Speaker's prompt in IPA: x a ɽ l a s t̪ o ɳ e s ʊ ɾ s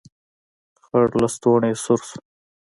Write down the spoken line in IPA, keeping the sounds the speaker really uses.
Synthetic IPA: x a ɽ l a s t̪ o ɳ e s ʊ ɾ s